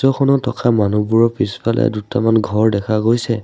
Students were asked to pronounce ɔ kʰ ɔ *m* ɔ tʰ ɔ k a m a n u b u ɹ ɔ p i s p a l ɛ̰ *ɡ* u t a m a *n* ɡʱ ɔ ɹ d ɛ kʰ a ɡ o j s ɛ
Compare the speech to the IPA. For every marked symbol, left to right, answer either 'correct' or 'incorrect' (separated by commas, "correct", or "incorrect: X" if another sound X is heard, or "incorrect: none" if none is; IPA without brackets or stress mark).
incorrect: n, incorrect: d, correct